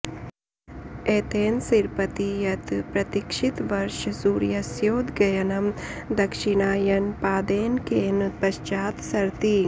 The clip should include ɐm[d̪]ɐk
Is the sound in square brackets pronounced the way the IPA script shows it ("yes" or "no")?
yes